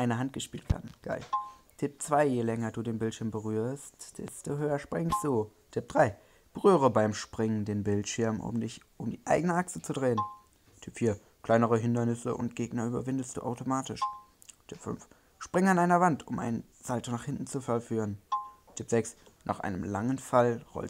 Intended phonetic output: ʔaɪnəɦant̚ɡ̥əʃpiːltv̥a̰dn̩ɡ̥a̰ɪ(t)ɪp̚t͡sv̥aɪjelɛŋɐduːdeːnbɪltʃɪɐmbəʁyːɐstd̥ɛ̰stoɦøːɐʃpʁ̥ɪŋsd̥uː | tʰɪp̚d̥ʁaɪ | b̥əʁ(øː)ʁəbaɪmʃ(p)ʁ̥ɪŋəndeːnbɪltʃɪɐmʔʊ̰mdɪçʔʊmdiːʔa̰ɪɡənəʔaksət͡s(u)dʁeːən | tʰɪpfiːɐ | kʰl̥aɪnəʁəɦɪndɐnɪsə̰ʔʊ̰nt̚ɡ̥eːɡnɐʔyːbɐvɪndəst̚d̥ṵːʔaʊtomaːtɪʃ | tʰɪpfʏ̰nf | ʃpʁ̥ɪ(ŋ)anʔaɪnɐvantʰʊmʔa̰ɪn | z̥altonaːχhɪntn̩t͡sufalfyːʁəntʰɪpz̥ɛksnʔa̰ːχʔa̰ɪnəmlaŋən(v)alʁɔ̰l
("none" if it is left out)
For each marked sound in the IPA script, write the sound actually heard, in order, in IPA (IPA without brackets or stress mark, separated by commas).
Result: tʰ, yː, p, u, ŋ, f